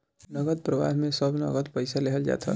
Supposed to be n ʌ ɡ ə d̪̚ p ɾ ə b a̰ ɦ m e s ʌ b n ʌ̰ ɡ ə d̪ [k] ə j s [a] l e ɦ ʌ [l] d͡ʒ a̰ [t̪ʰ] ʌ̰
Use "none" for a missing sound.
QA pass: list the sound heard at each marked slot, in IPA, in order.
p, a, l, t̪ʰ

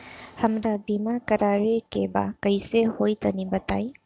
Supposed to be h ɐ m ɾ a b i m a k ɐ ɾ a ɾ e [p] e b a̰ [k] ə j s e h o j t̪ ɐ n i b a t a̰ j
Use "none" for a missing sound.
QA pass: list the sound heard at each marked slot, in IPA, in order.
k, k

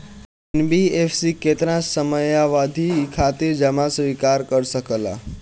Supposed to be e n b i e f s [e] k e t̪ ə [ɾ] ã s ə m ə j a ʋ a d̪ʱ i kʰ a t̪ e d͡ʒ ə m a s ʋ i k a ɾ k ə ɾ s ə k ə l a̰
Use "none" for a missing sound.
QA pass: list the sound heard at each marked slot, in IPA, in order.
i, ɾ

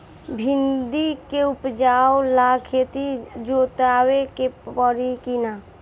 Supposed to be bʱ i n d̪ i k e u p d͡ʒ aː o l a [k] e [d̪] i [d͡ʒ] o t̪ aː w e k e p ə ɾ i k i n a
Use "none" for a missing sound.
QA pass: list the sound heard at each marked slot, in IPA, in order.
kʰ, t̪, d͡ʒ

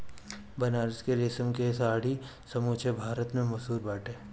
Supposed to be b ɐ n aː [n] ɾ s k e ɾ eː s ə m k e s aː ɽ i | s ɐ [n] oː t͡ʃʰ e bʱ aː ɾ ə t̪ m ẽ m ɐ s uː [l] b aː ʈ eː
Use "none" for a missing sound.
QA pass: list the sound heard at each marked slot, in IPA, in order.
none, m, ɾ

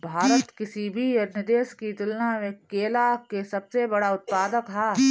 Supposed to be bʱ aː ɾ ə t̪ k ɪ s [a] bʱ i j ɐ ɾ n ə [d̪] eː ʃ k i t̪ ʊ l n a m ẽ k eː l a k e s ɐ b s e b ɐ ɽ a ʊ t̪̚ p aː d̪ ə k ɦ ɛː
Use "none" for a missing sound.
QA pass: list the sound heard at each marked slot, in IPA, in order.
i, d̪

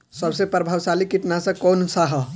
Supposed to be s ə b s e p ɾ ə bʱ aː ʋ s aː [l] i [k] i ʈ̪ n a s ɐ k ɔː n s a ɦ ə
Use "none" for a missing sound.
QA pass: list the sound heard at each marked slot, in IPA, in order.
l, k

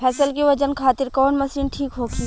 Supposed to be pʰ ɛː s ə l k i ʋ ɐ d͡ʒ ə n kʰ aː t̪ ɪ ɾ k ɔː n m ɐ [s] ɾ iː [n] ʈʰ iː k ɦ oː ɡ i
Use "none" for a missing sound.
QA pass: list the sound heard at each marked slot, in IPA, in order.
s, n

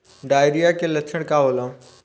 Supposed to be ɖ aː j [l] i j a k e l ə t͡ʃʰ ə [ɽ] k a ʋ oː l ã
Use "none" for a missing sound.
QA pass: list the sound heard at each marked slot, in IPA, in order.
ɾ, ɽ

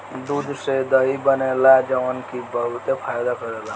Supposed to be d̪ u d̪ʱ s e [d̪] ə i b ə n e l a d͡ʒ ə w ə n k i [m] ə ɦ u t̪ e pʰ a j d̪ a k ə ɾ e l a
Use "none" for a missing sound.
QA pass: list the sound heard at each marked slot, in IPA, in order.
d̪, b

